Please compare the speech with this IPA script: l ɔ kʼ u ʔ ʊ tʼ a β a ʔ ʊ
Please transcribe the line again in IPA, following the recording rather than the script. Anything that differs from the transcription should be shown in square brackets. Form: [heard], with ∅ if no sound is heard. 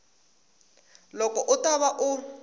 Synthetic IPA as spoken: l ɔ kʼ [ɔ] ʔ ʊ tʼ a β a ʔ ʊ